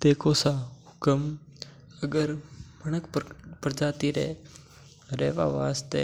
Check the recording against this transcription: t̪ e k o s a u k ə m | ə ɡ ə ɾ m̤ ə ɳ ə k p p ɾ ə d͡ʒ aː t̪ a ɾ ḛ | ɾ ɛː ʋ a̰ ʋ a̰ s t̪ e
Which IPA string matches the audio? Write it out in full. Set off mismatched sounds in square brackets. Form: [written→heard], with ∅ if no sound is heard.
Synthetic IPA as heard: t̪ e k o s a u k ə m | ə ɡ ə ɾ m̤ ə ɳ ə k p p ɾ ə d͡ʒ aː t̪ [a→i] ɾ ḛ | ɾ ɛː ʋ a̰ ʋ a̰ s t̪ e